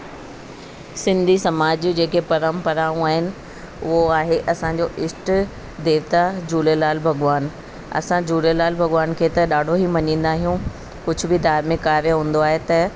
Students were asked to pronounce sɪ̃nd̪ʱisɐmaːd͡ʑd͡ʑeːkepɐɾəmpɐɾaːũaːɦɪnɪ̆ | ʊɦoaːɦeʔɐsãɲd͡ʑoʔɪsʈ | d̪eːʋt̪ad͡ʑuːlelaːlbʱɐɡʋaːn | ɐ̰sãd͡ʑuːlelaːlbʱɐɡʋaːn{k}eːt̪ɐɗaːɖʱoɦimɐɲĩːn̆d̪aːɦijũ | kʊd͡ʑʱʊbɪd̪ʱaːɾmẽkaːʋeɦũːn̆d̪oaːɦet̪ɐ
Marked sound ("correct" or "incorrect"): incorrect